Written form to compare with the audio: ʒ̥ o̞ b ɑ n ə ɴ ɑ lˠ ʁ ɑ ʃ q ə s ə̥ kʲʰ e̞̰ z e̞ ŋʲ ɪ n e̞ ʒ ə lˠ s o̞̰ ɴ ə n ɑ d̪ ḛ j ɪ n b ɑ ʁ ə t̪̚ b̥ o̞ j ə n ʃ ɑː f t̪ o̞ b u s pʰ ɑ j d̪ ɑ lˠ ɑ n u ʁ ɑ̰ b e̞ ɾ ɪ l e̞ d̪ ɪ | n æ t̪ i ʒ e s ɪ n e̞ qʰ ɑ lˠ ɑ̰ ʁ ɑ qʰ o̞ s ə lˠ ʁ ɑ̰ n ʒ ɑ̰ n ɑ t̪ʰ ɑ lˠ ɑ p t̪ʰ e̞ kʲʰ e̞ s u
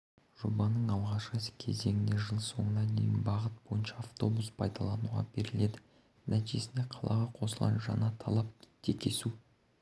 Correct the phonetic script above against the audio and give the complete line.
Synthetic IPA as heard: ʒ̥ o̞ b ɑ n ə ɴ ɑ lˠ ʁ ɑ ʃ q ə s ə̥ kʲʰ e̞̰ z e̞ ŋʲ ɪ n e̞ ʒ ə lˠ s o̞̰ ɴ ə n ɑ d̪ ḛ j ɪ n b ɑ ʁ ə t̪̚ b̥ o̞ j ə n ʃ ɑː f t̪ o̞ b u s pʰ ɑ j d̪ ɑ lˠ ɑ n u ʁ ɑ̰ b e̞ ɾ ɪ l e̞ d̪ ɪ | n æ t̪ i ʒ e s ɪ n e̞ qʰ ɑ lˠ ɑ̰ ʁ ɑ qʰ o̞ s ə lˠ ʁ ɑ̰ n ʒ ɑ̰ n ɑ t̪ʰ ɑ lˠ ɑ p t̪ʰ e̞ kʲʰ e̞ s u

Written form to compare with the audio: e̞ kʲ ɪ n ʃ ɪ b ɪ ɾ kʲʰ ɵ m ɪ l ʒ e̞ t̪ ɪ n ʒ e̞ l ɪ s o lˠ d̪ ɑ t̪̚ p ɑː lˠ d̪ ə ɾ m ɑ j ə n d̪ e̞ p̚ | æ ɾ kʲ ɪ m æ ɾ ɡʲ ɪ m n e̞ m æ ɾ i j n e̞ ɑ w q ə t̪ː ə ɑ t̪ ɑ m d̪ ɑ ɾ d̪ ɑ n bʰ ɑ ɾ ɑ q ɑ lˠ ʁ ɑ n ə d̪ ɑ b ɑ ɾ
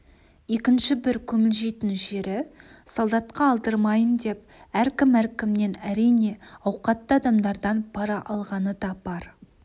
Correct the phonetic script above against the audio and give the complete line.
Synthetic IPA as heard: e̞ kʲ ɪ n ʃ ɪ b ɪ ɾ kʲʰ ɵ m ɪ l ʒ e̞ t̪ ɪ n ʒ e̞ ɾ ɪ s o lˠ d̪ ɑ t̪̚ q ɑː lˠ d̪ ə ɾ m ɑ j ə n d̪ e̞ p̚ | æ ɾ kʲ ɪ m æ ɾ kʲ ɪ m n e̞ n æ ɾ i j n e̞ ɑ w q ɑ t̪ː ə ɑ d̪ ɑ m d̪ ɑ ɾ d̪ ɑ n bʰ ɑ ɾ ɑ ʔ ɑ lˠ ʁ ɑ n ə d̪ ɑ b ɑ ɾ

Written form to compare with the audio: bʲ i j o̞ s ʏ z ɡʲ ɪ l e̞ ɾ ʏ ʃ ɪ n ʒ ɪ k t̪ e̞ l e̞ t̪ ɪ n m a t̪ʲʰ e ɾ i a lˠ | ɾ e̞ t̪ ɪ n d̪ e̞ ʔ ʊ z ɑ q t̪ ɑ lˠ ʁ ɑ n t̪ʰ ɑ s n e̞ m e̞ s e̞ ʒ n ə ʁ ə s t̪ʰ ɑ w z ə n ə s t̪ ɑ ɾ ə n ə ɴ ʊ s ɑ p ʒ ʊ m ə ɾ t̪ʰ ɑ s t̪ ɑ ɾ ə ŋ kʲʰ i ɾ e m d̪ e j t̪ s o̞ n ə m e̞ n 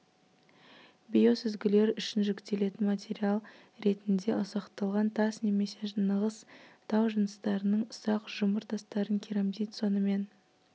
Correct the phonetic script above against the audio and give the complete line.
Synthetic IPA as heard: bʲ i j o̞ s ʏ z ɡʲ ɪ l e̞ ɾ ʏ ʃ ɪ n ʒ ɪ k t̪ e̞ l e̞ t̪ ɪ n m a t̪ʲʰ e ɾ i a lˠ | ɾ e̞ t̪ ɪ n d̪ e̞ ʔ ʊ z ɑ q t̪ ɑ lˠ ʁ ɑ n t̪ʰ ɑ s n e̞ m e̞ s e̞ ʒ n ə ʁ ə s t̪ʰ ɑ w ʒ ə n ə s t̪ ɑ ɾ ə n ə ɴ ʊ s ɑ q ʒ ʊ m ə ɾ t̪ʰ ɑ s t̪ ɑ ɾ ə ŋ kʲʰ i ɾ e m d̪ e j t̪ s o̞ n ə m e̞ n

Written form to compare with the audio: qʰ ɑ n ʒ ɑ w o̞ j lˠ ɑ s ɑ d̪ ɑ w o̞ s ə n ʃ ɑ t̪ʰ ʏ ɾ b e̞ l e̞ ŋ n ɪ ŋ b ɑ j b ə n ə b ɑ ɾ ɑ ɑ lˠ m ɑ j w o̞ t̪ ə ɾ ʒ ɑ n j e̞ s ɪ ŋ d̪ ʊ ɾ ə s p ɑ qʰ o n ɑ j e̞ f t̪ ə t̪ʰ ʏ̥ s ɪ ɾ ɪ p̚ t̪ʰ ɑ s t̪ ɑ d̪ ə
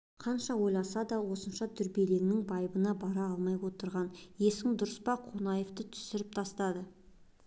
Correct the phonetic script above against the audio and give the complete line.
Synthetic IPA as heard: qʰ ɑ n ʃ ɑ w o̞ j lˠ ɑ s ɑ d̪ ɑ w o̞ s ə n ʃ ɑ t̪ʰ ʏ ɾ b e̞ l e̞ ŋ n ɪ ŋ b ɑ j b ə n ɑ b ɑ ɾ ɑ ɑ lˠ m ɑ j w o̞ t̪ ə ɾ ʁ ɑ n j e̞ s ɪ ŋ d̪ ʊ ɾ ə s p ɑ qʰ o n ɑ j e̞ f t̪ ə t̪ʰ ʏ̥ s ɪ ɾ ɪ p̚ t̪ʰ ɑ s t̪ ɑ d̪ ə

